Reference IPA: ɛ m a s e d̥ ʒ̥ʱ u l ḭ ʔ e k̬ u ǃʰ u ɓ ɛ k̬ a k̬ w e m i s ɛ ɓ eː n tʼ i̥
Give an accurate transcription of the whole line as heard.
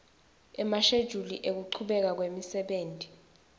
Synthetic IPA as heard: ɛ m a ʃ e d̥ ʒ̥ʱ u l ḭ ʔ e k̬ u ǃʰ u ɓ ɛ k̬ a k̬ w e m i s ɛ ɓ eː n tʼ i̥